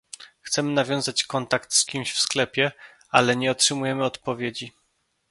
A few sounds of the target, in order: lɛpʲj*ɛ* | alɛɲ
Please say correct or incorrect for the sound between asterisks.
correct